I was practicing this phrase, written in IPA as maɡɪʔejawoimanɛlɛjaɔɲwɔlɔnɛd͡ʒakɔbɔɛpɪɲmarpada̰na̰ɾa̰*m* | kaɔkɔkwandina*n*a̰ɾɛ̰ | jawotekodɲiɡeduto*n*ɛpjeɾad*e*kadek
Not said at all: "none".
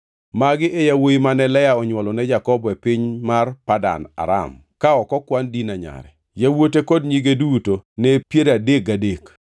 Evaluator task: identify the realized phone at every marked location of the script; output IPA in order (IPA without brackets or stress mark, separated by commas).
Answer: m, ɲ, n, e